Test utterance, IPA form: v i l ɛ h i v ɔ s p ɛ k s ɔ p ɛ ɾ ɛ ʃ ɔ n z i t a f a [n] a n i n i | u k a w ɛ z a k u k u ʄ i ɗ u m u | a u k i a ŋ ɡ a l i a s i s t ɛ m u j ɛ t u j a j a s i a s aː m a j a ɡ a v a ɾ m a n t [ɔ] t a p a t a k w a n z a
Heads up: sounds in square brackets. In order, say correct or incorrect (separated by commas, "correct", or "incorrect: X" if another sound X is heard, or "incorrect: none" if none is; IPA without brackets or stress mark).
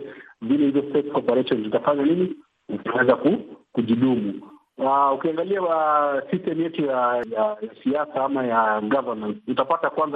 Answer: incorrect: ɲ, incorrect: u